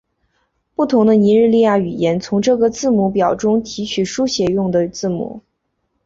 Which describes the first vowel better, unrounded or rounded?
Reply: rounded